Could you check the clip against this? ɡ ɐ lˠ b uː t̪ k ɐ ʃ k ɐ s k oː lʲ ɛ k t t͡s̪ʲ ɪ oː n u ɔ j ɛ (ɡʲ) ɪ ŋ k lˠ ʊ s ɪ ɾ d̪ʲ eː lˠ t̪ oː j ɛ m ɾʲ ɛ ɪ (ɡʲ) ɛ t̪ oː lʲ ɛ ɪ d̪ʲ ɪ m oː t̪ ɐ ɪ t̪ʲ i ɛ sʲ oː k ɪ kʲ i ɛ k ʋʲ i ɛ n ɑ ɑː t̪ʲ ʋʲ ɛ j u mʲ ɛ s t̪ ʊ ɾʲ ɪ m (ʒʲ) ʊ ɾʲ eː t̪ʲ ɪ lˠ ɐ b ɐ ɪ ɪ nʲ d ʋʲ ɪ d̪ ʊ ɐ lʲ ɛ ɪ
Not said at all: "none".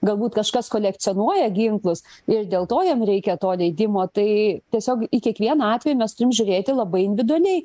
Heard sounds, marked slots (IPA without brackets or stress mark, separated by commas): ɡʲ, kʲ, ʒʲ